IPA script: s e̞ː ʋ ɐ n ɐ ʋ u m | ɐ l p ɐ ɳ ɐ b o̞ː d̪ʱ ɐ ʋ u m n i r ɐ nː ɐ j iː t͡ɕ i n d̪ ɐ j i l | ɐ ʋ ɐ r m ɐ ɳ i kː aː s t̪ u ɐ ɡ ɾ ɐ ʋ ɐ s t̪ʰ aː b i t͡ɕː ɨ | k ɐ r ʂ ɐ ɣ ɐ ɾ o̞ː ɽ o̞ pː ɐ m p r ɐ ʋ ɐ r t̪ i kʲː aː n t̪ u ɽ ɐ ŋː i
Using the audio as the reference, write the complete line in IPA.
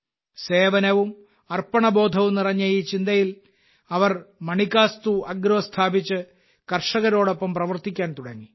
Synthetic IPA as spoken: s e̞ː ʋ ɐ n ɐ ʋ u m | ɐ r p ɐ ɳ ɐ b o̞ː d̪ʱ ɐ ʋ u m n i r ɐ ɲː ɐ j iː t͡ɕ i n d̪ ɐ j i l | ɐ ʋ ɐ r m ɐ ɳ i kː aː s t̪ u ɐ ɡ ɾ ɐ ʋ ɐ s t̪ʰ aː b i t͡ɕː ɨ | k ɐ r ʂ ɐ ɣ ɐ ɾ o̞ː ɽ o̞ pː ɐ m p r ɐ ʋ ɐ r t̪ i kʲː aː n t̪ u ɽ ɐ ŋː i